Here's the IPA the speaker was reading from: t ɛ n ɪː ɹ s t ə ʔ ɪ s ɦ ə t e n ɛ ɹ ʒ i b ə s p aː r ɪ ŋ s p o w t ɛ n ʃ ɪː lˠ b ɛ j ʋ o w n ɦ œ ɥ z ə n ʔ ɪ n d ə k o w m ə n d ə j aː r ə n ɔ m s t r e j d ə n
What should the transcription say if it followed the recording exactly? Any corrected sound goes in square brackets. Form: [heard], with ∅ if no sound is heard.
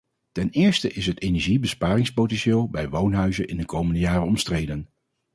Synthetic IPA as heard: t ɛ n ɪː ɹ s t ə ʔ ɪ s ɦ ə t e n ɛ ɹ ʒ i b ə s p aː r ɪ ŋ s p o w t ɛ n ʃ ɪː lˠ b ɛ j ʋ o w n ɦ œ ɥ z ə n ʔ ɪ n d ə k o w m ə n d ə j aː r ə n ɔ m s t r e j d ə n